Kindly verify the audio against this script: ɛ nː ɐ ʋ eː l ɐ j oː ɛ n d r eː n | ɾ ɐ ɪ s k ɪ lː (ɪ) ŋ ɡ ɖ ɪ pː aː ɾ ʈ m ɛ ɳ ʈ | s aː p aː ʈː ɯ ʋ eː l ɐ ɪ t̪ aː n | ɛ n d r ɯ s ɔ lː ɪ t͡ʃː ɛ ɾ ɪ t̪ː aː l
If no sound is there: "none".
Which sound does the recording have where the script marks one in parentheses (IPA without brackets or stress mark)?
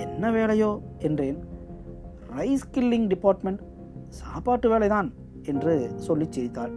ɪ